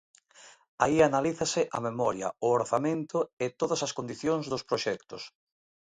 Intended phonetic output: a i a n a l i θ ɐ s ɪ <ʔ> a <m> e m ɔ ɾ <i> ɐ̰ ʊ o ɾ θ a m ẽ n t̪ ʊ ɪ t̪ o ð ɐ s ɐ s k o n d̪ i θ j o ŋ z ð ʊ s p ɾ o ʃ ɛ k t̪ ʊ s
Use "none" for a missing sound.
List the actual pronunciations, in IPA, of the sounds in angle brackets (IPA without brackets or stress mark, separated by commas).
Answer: ʔ, m, j